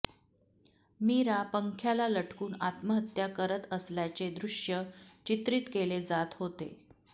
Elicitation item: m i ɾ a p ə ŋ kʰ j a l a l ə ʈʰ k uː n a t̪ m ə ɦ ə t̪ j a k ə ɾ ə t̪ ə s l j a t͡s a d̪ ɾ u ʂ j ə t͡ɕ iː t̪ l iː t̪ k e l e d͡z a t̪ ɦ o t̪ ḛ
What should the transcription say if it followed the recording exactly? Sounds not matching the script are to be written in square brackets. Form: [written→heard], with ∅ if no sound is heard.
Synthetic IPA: m i ɾ a p ə ŋ kʰ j a l a l ə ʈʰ k uː n a t̪ m ə ɦ ə t̪ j a k ə ɾ ə t̪ ə s l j a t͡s [a→e] d̪ ɾ u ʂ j ə t͡ɕ [iː→i] t̪ [l→ɾ] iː t̪ k e l e d͡z a t̪ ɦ o t̪ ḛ

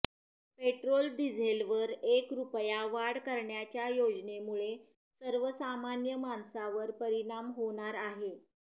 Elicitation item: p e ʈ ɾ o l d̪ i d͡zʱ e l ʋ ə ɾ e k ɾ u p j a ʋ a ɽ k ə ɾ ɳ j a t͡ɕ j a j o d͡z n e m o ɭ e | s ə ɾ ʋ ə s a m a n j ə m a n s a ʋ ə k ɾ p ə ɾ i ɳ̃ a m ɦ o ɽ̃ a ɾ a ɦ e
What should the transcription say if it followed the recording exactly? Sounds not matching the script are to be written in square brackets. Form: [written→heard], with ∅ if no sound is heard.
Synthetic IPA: p e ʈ ɾ o l d̪ i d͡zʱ e l ʋ ə ɾ e k ɾ u p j a ʋ a ɽ k ə ɾ ɳ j a t͡ɕ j a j o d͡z n e m [o→u] ɭ e | s ə ɾ ʋ ə s a m a n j ə m a n s a ʋ ə [k→∅] ɾ p ə ɾ i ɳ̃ a m ɦ o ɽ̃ a ɾ a ɦ e

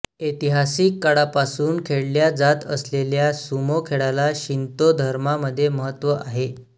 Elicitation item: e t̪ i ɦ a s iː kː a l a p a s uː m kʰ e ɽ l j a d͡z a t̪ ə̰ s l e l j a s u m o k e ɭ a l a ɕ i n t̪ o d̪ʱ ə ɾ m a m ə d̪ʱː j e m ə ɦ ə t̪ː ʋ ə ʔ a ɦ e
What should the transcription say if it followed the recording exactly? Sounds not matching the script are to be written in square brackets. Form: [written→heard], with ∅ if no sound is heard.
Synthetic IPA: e t̪ i ɦ a s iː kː a [l→ɽ] a p a s uː [m→n] kʰ e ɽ l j a d͡z a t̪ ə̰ s l e l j a s u m o [k→kʰ] e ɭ a l a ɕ i n t̪ o d̪ʱ ə ɾ m a m ə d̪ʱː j e m ə ɦ ə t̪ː ʋ ə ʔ a ɦ e

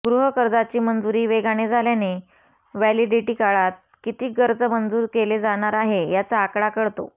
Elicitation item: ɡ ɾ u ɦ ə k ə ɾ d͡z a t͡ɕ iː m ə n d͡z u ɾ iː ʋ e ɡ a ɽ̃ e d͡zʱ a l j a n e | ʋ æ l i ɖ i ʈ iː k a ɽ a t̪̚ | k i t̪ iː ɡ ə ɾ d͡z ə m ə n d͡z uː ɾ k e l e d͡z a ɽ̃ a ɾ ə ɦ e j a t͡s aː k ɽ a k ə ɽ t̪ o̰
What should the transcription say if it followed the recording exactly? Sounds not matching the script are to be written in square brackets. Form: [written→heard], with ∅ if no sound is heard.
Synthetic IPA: ɡ ɾ u ɦ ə k ə ɾ d͡z a t͡ɕ iː m ə n d͡z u ɾ iː ʋ e ɡ a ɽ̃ e d͡zʱ a l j a n e | ʋ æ l i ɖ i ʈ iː k a [ɽ→ɭ] a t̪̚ | k i t̪ iː ɡ ə ɾ d͡z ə m ə n d͡z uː ɾ k e l e d͡z a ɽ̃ a ɾ [ə→a] ɦ e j a t͡s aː k ɽ a k ə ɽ t̪ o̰

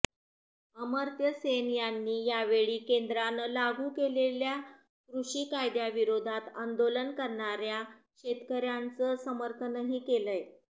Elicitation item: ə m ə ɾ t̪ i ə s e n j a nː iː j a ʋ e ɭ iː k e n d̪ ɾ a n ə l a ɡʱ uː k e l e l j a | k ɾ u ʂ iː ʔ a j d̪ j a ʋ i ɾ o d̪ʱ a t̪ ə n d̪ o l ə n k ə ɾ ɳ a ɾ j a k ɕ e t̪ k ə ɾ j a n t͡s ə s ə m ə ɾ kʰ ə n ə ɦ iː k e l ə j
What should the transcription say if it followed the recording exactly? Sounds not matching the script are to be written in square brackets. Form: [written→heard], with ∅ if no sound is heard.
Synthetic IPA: ə m ə ɾ t̪ [i→j] ə s e n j a nː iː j a ʋ e ɭ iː k e n d̪ ɾ a n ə l a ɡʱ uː k e l e l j a | k ɾ u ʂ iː [ʔ→k] a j d̪ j a ʋ i ɾ o d̪ʱ a t̪ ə n d̪ o l ə n k ə ɾ ɳ a ɾ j a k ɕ e t̪ k ə ɾ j a n t͡s ə s ə m ə ɾ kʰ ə n ə ɦ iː k e l ə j

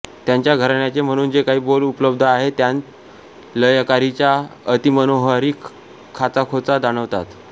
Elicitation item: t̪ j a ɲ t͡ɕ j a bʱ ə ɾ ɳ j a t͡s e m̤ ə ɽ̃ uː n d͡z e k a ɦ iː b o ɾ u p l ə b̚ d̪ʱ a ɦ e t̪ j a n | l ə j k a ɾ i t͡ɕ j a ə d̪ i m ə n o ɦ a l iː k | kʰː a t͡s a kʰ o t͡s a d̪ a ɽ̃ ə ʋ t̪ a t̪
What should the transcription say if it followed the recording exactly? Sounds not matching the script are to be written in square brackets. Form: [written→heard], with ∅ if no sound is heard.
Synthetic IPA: t̪ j a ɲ t͡ɕ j a [bʱ→ɡʱ] ə ɾ ɳ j a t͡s e m̤ ə ɽ̃ uː n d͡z e k a ɦ iː b o [ɾ→l] u p l ə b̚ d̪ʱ a ɦ e t̪ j a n | l ə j k a ɾ i t͡ɕ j a ə [d̪→t̪] i m ə n o ɦ a [l→ɾ] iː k | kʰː a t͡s a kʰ o t͡s a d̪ a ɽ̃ ə ʋ t̪ a t̪

